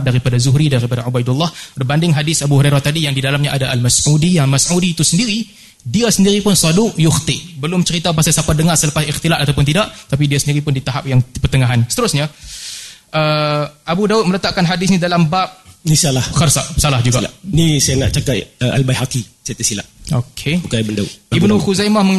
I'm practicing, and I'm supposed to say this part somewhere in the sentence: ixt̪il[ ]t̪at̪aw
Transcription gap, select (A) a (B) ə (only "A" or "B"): A